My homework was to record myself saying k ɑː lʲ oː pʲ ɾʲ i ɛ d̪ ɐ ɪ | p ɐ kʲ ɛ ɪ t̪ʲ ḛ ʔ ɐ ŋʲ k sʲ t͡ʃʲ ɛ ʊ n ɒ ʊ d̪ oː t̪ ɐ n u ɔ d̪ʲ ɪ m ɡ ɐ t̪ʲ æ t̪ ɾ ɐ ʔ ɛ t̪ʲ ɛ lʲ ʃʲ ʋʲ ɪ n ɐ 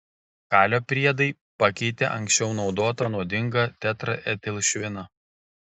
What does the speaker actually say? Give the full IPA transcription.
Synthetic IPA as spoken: k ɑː lʲ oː pʲ ɾʲ i ɛ d̪ ɐ ɪ | p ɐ kʲ ɛ ɪ t̪ʲ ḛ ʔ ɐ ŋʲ k sʲ t͡ʃʲ ɛ ʊ n ɒ ʊ d̪ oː t̪ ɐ n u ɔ d̪ʲ ɪ ŋ ɡ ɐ t̪ʲ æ t̪ ɾ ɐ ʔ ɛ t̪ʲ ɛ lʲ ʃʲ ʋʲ ɪ n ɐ